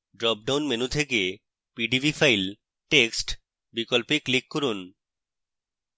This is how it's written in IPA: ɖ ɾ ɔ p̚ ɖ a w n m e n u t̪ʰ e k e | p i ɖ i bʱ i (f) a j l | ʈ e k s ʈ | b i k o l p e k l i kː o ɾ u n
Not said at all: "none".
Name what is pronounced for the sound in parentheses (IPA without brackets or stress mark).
f